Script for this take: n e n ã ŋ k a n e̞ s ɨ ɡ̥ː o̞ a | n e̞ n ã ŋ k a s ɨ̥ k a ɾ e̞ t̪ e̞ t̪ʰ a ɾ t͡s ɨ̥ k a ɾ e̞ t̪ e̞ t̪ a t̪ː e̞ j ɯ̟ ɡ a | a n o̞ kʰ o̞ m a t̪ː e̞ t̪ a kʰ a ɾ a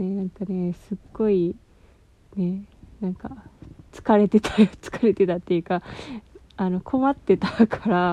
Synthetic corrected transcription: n e n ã ŋ k a n e̞ s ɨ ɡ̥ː o̞ i | n e̞ n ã ŋ k a t͡s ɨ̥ k a ɾ e̞ t̪ e̞ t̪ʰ a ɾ t͡s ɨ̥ k a ɾ e̞ t̪ e̞ t̪ a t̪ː e̞ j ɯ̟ k a | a n o̞ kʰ o̞ m a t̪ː e̞ t̪ a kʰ a ɾ a